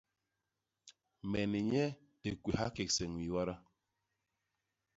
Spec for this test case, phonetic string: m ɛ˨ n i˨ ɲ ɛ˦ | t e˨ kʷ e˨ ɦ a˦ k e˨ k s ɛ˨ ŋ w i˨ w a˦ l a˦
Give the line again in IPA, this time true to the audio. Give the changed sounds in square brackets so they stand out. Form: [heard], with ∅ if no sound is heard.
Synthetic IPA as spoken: m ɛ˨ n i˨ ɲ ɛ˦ | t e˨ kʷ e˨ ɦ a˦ k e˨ k s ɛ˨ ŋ w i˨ w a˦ [ɾ] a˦

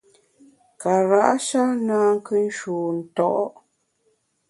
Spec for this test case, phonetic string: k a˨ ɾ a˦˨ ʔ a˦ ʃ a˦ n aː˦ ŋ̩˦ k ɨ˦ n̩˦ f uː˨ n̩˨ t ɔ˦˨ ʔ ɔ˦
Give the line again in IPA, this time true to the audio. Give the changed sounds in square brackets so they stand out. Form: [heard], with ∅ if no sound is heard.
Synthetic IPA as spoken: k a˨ ɾ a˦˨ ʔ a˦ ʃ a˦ n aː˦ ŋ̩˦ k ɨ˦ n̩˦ [ʃ] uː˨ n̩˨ t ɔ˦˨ ʔ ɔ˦

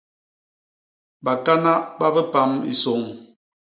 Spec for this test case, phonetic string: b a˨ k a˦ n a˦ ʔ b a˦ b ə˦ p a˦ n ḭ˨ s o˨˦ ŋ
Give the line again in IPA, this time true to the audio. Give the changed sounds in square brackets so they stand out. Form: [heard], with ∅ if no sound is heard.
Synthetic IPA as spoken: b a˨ k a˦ n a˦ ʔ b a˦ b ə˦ p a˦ [m] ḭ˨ s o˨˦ ŋ

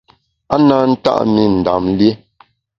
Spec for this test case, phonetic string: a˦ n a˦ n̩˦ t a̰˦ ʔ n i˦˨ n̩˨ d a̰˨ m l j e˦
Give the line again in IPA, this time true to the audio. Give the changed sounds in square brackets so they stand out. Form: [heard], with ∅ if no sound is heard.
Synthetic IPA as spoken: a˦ n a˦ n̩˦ t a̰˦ ʔ [m] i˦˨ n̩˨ d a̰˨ m l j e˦

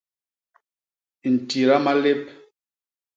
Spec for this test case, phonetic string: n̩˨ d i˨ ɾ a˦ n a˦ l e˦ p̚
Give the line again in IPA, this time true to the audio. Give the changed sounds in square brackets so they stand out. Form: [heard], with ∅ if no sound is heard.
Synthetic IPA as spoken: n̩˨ [t] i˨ ɾ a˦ [m] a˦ l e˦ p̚

